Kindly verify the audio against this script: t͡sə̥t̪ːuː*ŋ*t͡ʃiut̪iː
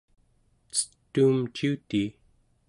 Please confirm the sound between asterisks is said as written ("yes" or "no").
no